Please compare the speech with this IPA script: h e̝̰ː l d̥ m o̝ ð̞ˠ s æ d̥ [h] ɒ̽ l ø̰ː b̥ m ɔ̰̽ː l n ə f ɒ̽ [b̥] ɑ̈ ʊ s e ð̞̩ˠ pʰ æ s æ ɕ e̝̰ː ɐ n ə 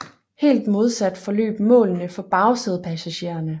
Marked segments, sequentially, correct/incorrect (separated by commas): incorrect, correct